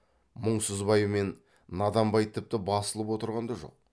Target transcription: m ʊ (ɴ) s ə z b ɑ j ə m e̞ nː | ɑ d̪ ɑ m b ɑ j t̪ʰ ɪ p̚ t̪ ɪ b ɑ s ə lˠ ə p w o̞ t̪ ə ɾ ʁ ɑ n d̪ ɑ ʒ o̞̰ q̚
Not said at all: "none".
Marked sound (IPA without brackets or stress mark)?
ɴ